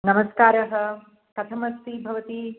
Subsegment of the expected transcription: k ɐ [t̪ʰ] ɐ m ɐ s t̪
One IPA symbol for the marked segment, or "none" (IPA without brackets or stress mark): t̪ʰ